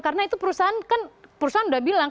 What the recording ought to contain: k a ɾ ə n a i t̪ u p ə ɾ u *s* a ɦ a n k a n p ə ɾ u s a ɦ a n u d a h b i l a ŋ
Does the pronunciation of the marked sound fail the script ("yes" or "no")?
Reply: no